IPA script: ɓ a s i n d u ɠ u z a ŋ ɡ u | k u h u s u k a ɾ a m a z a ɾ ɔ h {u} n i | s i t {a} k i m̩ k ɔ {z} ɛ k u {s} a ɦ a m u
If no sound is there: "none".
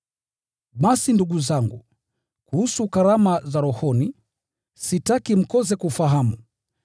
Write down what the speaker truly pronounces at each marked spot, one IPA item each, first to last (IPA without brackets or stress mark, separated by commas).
ɔ, a, z, f